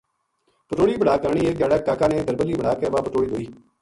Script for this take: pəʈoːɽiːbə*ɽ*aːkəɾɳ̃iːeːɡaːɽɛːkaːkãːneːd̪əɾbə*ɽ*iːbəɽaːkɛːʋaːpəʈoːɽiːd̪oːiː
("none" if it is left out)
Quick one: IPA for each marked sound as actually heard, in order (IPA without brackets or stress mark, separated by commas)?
ɽ, l